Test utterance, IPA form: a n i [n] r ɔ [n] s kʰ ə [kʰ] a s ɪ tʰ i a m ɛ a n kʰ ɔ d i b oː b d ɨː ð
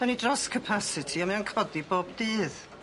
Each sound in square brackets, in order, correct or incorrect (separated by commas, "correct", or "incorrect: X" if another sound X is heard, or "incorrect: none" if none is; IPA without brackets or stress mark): incorrect: d, incorrect: none, incorrect: pʰ